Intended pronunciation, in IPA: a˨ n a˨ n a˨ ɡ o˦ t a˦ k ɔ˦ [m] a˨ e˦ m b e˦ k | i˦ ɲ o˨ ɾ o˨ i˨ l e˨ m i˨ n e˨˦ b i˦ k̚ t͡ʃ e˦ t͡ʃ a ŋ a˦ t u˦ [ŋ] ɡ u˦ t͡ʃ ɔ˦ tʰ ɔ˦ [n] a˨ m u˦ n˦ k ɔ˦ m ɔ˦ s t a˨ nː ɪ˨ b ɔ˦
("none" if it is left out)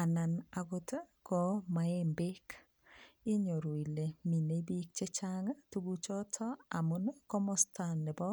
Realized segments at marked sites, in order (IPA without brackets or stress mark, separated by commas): m, none, none